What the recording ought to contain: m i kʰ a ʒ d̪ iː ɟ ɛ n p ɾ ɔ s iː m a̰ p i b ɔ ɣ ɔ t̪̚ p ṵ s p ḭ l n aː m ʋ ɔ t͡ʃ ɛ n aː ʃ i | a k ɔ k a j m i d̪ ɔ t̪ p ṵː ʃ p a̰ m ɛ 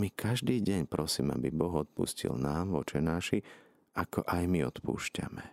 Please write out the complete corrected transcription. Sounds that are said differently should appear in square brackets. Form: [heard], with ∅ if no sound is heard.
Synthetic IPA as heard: m i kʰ a ʒ d̪ iː ɟ ɛ [ɲ] p ɾ ɔ s iː m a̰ [b] i b ɔ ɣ ɔ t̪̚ p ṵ s [c] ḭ l n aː m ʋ ɔ t͡ʃ ɛ n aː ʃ i | a k ɔ [ʔ] a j m i [∅] ɔ t̪ p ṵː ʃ [c] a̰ m ɛ